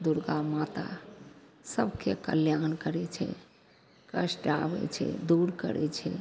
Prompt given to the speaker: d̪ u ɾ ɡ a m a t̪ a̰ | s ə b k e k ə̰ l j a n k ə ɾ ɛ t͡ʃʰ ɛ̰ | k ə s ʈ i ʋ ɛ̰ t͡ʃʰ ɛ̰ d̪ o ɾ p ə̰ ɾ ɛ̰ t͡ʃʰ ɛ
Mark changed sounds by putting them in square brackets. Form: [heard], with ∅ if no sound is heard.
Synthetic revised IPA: d̪ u ɾ ɡ a m a t̪ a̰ | s ə b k e k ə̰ l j a n k ə ɾ ɛ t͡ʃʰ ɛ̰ | k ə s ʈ [a] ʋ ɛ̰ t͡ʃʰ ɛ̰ d̪ [u] ɾ [k] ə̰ ɾ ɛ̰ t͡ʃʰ ɛ

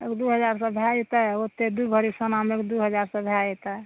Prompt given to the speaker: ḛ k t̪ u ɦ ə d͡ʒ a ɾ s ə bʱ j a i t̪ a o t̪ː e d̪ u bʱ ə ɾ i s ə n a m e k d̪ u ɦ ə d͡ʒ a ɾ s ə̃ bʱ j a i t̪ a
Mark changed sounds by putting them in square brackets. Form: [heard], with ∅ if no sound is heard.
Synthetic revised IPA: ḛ k [d̪] u ɦ ə d͡ʒ a ɾ s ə bʱ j a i t̪ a o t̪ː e d̪ u bʱ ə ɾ i s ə n a m e k d̪ u ɦ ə d͡ʒ a ɾ s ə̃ bʱ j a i t̪ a

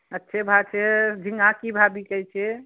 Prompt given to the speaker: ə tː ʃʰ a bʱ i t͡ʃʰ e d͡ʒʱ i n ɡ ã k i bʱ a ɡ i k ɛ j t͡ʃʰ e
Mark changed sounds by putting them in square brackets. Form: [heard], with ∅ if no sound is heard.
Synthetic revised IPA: ə tː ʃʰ [e] bʱ [a] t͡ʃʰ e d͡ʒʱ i [ŋ] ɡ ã k i bʱ a [b] i k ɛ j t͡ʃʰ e

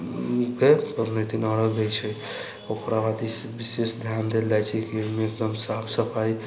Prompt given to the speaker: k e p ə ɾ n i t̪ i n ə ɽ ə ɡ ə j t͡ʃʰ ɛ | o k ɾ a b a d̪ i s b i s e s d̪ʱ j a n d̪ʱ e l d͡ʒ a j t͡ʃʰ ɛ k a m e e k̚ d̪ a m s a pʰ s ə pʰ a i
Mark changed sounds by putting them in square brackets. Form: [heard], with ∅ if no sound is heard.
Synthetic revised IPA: k e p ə ɾ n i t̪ i n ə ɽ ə ɡ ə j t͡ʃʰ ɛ | o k ɾ a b a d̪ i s b i s e s d̪ʱ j a n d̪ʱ e l d͡ʒ a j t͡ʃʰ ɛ k [i] m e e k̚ d̪ [ə] m s a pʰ s ə pʰ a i

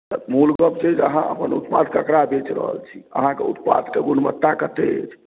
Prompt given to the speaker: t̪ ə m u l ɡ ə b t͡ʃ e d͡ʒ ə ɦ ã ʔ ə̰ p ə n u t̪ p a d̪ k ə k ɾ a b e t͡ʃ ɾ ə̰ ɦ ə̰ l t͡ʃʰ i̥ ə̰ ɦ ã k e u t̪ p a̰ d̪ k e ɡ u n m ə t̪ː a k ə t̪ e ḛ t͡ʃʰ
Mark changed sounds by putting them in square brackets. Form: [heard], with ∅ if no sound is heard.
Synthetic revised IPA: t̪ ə m u l ɡ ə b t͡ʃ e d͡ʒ ə ɦ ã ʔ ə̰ p ə n u t̪ p a d̪ k ə k ɾ a b e t͡ʃ ɾ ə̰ ɦ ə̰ l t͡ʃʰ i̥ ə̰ ɦ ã k e u t̪ p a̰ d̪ k e ɡ u n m ə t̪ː a k ə t̪ e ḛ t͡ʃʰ

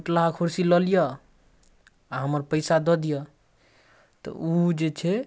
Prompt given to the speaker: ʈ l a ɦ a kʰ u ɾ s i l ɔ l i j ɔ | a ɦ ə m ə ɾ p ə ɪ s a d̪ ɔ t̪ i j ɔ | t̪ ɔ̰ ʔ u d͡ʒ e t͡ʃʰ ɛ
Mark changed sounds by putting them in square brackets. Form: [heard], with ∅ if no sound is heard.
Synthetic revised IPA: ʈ l a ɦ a kʰ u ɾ s i l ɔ l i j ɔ | a ɦ ə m ə ɾ p ə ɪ s a d̪ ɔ [d̪] i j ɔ | t̪ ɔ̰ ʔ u d͡ʒ e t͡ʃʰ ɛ

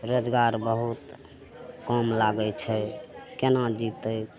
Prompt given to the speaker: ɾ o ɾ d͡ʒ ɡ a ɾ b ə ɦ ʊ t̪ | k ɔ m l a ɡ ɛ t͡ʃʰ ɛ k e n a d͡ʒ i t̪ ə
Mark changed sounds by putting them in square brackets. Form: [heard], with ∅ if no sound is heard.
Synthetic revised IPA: ɾ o [∅] d͡ʒ ɡ a ɾ b ə ɦ [u] t̪ | k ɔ m l a ɡ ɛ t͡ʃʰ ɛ k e n a d͡ʒ i t̪ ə

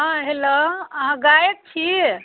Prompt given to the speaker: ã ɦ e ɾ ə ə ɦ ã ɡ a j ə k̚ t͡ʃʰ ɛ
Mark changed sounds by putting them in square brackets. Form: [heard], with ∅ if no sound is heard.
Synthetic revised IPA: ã ɦ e [l] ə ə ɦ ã ɡ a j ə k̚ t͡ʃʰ [i]

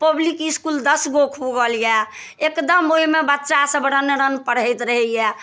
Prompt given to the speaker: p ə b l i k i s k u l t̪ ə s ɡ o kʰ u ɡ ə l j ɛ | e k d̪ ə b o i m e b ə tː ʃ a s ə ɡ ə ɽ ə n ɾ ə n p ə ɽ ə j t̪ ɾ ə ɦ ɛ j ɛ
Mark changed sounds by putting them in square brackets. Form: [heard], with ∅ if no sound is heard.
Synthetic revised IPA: p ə b l i k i s k u l [d̪] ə s ɡ o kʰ u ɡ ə l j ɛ | e k d̪ ə [m] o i m e b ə tː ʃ a s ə [b] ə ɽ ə n ɾ ə n p ə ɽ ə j t̪ ɾ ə ɦ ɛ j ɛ

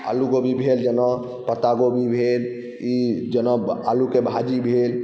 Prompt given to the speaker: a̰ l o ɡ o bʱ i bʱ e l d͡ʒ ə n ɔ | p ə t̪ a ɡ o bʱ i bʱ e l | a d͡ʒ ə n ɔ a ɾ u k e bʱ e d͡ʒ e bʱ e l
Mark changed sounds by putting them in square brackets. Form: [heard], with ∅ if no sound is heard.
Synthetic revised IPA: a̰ l [u] ɡ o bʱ i bʱ e l d͡ʒ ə n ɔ | p ə t̪ a ɡ o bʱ i bʱ e l | [i] d͡ʒ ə n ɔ a [l] u k e bʱ [a] d͡ʒ [i] bʱ e l

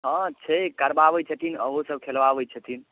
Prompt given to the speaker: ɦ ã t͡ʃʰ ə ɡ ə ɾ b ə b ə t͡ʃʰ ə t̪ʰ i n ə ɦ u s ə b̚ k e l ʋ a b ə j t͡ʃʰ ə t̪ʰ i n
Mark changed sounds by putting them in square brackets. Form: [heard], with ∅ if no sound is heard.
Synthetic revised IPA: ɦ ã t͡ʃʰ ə [k] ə ɾ b [a] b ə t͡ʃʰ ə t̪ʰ i n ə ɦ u s ə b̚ [kʰ] e l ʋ a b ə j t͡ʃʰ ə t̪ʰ i n

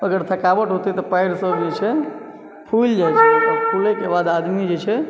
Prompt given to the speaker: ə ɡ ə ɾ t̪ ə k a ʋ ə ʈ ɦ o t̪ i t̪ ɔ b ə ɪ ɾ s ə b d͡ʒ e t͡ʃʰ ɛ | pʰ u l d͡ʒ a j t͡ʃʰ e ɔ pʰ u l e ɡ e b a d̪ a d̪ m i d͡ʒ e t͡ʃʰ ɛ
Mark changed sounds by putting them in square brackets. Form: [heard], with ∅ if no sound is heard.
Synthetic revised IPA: ə ɡ ə ɾ [t̪ʰ] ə k a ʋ ə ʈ ɦ o t̪ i t̪ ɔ [p] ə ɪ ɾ s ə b d͡ʒ e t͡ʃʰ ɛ | pʰ u l d͡ʒ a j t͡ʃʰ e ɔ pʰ u l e [k] e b a d̪ a d̪ m i d͡ʒ e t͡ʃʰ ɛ

